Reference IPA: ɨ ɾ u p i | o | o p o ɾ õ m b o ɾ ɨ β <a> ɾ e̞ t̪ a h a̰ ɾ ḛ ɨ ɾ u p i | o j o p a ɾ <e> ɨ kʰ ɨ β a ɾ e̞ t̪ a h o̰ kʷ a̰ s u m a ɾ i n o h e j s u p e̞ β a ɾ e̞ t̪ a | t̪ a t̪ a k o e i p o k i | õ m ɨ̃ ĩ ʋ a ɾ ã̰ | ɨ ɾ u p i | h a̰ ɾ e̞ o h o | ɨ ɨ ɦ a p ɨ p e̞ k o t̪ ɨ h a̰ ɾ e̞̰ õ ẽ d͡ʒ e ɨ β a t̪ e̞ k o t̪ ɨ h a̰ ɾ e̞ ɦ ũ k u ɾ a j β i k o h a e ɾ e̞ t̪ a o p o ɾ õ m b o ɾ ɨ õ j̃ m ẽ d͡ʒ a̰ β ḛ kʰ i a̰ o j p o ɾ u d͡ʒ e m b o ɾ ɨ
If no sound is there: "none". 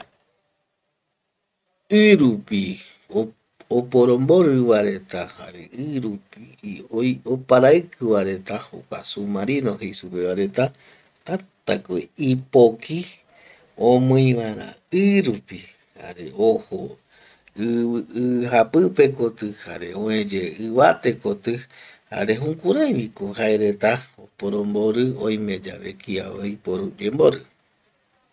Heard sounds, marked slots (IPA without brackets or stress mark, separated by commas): a, a